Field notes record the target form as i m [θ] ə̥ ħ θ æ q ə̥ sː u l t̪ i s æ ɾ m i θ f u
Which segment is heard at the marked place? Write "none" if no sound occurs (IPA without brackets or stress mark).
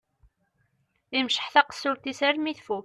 ʃ